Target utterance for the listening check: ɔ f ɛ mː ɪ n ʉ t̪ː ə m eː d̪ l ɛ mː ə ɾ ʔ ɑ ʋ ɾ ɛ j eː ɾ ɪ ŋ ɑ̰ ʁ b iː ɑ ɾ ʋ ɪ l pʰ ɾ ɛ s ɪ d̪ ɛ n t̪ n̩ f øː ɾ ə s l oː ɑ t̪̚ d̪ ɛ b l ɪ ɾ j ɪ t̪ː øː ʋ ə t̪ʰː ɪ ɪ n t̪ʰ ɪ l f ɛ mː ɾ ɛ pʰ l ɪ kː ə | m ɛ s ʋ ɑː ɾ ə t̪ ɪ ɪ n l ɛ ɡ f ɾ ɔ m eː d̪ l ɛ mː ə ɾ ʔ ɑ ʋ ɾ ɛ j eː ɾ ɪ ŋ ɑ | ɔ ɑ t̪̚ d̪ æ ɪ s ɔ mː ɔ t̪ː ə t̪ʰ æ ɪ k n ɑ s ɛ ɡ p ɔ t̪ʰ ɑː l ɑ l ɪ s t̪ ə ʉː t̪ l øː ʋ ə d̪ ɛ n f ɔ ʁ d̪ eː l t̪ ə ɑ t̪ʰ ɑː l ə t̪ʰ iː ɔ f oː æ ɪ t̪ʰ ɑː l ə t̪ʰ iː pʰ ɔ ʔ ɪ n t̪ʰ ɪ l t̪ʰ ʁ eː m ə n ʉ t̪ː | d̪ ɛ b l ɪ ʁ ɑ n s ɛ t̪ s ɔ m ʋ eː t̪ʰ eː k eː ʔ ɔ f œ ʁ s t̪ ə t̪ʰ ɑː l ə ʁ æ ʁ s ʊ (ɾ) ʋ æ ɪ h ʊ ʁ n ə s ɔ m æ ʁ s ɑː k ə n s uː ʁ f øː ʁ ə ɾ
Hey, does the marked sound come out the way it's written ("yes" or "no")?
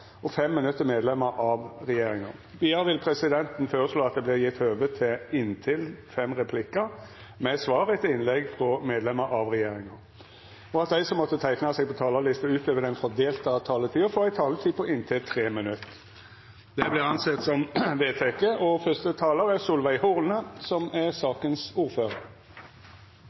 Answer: no